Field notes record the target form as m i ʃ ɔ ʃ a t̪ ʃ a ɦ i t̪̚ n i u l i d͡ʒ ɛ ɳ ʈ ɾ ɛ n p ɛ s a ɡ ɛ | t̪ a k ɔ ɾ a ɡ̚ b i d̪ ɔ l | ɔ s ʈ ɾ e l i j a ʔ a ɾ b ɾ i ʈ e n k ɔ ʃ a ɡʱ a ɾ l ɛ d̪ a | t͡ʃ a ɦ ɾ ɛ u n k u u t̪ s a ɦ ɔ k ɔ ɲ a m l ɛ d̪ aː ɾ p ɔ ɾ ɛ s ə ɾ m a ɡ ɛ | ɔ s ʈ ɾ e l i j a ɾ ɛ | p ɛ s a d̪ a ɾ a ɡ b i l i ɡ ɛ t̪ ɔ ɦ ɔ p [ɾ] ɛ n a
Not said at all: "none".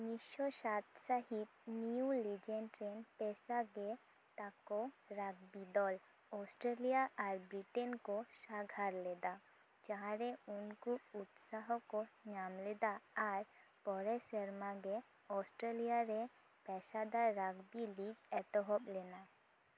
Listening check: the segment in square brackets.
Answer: l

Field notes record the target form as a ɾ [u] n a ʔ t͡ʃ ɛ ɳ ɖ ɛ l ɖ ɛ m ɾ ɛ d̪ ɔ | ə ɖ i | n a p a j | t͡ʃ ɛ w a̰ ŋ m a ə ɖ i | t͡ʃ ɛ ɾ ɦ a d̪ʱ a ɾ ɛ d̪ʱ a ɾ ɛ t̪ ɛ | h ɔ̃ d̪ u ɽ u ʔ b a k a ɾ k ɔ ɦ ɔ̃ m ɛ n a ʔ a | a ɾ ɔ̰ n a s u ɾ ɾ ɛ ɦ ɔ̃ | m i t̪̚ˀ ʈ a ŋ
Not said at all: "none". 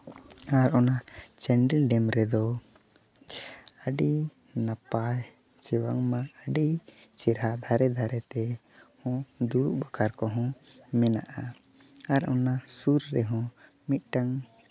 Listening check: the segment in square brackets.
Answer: ɔ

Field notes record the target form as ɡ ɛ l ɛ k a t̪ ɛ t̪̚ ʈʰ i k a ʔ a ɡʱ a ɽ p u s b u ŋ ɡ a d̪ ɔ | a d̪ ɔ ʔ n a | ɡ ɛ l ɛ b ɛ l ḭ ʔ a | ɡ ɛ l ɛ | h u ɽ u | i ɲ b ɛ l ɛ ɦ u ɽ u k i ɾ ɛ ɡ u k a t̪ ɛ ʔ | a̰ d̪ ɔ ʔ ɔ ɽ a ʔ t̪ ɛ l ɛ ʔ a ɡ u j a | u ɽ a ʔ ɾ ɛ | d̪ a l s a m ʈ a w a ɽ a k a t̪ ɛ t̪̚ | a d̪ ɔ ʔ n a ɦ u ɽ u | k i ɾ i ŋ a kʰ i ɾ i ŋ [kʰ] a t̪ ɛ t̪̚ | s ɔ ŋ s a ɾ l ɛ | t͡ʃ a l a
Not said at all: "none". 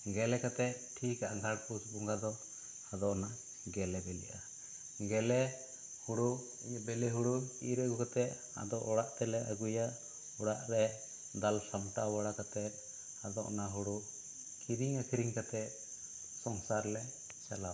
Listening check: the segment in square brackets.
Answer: k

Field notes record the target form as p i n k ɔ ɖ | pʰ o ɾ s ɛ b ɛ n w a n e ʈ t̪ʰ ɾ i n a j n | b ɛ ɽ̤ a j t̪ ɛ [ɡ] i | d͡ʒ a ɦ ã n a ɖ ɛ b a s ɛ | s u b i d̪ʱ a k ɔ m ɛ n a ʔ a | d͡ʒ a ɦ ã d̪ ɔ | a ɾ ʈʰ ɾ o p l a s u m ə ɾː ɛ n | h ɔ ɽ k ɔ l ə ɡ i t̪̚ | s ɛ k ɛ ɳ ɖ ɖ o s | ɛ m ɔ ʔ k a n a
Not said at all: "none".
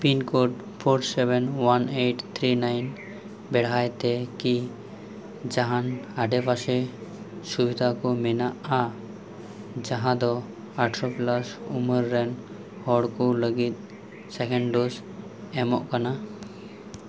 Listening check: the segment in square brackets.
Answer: k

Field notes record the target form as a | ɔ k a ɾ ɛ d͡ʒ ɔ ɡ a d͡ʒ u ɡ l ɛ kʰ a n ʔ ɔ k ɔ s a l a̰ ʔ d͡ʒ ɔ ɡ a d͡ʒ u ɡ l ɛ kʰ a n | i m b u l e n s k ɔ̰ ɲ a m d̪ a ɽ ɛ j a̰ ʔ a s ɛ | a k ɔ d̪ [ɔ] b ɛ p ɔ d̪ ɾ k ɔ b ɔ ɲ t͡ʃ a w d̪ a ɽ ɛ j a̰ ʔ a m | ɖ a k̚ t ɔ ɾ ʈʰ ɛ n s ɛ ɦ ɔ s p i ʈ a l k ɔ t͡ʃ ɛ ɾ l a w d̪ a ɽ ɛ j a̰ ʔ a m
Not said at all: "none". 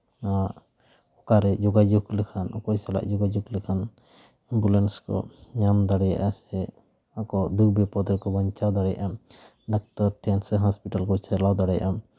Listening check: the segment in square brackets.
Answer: u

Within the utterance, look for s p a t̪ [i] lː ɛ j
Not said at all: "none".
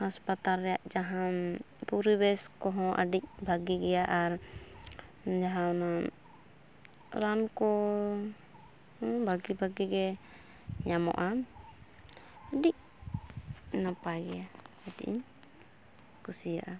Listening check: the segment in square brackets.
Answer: a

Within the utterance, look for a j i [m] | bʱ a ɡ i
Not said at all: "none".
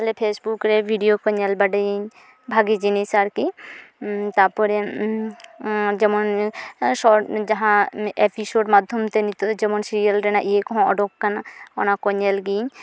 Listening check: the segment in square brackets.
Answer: ɲ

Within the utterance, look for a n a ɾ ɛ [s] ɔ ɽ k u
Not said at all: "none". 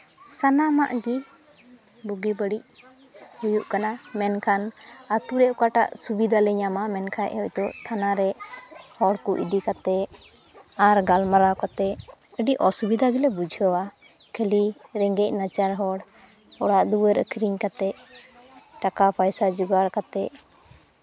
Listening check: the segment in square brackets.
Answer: h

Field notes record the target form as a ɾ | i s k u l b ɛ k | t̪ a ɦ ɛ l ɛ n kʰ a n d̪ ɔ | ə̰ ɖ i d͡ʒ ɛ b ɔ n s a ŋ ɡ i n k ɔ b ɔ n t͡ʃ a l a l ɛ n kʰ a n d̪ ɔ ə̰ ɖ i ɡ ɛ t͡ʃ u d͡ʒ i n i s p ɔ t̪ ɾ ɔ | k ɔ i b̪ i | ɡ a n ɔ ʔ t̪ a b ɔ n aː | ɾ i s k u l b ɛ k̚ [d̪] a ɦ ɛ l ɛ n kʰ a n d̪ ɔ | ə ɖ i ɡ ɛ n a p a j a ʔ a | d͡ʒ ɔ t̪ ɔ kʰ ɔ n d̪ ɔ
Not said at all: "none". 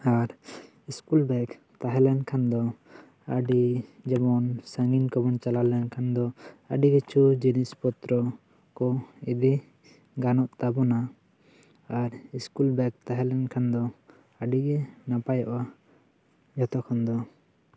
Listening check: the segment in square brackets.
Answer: t̪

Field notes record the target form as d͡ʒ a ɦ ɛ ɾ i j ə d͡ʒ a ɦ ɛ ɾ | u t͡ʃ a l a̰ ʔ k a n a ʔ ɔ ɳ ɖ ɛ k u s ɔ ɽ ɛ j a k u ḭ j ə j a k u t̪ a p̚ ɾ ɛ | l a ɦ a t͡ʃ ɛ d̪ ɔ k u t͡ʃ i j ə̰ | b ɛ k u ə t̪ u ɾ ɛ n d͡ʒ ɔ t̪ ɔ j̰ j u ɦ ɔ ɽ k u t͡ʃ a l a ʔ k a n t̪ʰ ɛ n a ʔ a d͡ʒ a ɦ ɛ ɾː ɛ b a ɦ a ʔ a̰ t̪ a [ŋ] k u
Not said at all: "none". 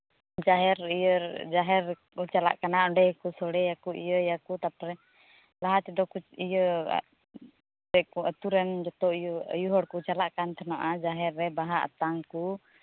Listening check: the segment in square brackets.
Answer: ŋ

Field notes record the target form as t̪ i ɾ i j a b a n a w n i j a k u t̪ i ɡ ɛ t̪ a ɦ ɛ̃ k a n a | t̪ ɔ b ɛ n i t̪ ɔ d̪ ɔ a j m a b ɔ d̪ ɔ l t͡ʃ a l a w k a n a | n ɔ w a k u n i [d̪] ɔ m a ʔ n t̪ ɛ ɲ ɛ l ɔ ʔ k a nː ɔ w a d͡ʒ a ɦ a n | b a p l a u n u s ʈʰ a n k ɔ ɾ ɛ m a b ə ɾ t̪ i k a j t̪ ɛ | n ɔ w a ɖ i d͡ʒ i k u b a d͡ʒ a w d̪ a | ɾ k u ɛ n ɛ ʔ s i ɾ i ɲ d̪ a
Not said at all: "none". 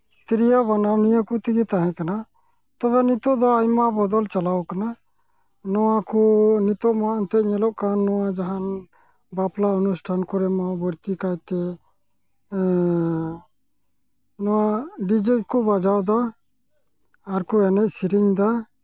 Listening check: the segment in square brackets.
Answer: t̪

